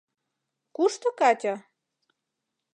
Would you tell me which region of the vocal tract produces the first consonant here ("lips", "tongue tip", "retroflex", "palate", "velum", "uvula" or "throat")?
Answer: velum